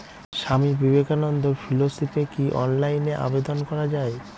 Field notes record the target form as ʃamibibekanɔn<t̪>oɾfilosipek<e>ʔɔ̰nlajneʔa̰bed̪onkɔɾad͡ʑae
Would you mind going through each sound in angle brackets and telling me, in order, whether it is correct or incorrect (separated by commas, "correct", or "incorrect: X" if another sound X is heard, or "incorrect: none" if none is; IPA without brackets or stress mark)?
incorrect: d̪, incorrect: i